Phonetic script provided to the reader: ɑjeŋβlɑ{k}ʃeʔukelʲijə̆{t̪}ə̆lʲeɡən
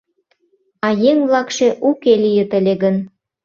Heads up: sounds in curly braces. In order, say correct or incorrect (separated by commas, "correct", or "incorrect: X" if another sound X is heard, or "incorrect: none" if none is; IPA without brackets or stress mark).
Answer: correct, correct